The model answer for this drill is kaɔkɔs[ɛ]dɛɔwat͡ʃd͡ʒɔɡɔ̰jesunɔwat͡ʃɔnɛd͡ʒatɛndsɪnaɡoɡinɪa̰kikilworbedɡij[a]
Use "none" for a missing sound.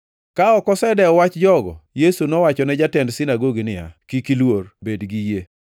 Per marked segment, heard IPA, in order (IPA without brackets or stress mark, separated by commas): ɛ, e